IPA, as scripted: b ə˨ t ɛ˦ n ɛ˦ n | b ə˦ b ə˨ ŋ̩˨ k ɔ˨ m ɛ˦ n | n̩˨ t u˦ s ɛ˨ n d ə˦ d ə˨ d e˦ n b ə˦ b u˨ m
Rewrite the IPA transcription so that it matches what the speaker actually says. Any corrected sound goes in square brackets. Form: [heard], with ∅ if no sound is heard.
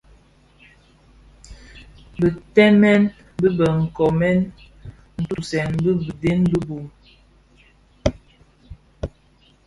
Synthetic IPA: b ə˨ t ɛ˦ [m] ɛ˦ n | b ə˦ b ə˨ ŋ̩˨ k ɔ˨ m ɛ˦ n | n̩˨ t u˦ s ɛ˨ n [b] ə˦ [b] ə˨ d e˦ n b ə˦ b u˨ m